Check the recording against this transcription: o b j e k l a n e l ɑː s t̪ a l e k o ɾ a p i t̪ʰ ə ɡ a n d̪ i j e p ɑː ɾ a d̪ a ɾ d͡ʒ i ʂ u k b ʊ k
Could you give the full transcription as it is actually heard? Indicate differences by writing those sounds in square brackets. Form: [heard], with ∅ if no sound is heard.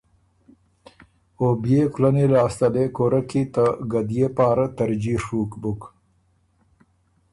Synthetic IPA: o b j e k l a n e l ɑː s t̪ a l e k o ɾ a [k] i [t̪] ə ɡ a [∅] d̪ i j e p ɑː ɾ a [t̪] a ɾ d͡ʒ i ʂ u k b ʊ k